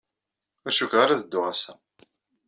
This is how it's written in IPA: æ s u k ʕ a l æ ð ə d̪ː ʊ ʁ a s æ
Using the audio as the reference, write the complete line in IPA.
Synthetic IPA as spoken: æ ʃ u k ʁ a ɾ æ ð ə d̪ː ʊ ʁ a s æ